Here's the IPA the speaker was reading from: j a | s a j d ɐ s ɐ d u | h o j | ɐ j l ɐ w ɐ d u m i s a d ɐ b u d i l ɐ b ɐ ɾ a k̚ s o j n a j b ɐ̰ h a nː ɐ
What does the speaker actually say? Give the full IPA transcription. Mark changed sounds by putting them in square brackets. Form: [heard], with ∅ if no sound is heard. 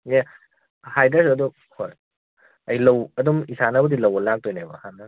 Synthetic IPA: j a | [h] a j d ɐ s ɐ d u | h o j | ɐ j l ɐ w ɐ d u m i s a [n] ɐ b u d i l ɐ [w] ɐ [l] a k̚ [t] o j n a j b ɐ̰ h a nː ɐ